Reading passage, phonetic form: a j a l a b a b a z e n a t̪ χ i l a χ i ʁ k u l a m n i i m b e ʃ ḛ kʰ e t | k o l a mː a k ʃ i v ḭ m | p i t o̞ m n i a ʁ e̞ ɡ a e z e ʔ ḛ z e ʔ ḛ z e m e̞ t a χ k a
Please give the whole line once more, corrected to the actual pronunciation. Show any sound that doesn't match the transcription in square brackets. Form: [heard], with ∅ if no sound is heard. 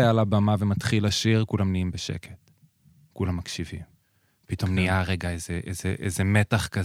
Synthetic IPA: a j a l a b a [m] a [v] e [m] a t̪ χ i l a [ʃ] i ʁ k u l a m n i i m b e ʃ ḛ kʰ e t | k [u] l a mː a k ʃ i v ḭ m | p i t o̞ m n i a ʁ e̞ ɡ a e z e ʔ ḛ z e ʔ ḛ z e m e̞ t a χ k a